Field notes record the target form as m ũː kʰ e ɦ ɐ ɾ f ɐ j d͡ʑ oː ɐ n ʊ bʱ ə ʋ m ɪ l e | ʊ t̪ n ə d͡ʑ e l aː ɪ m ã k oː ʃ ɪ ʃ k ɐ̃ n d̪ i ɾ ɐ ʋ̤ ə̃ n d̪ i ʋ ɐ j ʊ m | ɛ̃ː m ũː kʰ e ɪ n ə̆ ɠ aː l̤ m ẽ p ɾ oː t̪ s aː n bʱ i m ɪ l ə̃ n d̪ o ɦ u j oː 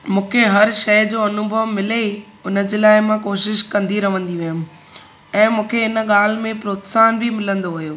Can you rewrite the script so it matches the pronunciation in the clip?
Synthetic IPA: m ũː kʰ e ɦ ɐ ɾ ʃ ɐ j d͡ʑ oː ɐ n ʊ bʱ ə ʋ m ɪ l e | ʊ n ə d͡ʑ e l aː ɪ m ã k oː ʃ ɪ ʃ k ɐ̃ n d̪ i ɾ ɐ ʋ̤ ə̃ n d̪ i ʋ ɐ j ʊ m | ɛ̃ː m ũː kʰ e ɪ n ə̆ ɠ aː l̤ m ẽ p ɾ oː t̪ s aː n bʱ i m ɪ l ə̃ n d̪ o ɦ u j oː